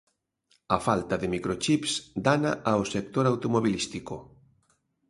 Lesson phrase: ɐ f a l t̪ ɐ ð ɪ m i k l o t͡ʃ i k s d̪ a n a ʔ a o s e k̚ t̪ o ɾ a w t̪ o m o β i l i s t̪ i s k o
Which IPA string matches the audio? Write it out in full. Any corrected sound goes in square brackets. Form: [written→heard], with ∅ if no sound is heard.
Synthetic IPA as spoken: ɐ f a l t̪ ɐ ð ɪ m i k [l→ɾ] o t͡ʃ i [k→p] s d̪ a n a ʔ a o s e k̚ t̪ o ɾ a w t̪ o m o β i l i s t̪ i [s→∅] k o